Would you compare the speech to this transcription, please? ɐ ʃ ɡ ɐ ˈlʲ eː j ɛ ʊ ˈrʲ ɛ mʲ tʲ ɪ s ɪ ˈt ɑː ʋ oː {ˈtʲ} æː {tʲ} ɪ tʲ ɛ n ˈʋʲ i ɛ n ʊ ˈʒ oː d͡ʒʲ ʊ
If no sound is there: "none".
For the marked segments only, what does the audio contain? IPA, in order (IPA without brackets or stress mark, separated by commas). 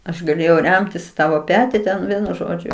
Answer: pʲ, tʲ